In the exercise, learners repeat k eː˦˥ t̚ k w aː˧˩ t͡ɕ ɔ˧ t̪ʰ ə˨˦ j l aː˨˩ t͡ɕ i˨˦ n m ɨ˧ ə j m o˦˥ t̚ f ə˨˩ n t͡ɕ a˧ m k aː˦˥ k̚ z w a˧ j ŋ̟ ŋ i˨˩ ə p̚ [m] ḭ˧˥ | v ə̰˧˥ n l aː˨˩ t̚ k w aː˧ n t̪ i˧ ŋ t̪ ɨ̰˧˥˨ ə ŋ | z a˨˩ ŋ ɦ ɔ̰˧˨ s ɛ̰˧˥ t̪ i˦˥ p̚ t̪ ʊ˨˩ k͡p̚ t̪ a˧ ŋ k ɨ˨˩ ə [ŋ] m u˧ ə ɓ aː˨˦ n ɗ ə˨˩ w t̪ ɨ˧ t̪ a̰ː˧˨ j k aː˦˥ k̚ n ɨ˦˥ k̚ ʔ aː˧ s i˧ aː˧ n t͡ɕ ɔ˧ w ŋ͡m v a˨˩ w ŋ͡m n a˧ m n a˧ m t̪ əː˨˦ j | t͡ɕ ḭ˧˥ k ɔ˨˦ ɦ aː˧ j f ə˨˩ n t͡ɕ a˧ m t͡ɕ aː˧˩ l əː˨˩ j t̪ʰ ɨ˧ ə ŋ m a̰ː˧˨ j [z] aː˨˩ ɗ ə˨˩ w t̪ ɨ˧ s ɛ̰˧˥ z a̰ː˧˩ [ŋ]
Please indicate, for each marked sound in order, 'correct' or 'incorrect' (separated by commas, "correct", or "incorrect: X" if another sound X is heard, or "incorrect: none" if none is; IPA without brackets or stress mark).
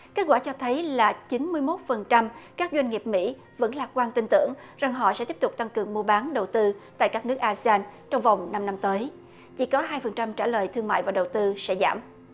correct, correct, incorrect: v, incorrect: m